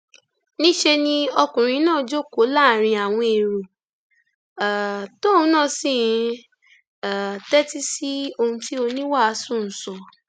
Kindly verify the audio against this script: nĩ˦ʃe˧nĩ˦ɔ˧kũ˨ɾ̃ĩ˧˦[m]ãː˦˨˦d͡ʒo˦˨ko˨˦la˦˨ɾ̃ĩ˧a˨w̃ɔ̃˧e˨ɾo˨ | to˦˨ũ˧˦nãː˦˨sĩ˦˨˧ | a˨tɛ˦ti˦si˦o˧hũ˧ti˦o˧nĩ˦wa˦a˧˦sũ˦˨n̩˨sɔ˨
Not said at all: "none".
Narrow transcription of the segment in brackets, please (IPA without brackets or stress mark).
n